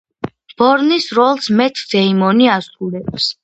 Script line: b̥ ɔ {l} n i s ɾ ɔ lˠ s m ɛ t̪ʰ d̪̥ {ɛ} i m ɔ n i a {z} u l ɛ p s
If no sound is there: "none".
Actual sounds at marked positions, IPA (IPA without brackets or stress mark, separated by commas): ɾ, ɛ, s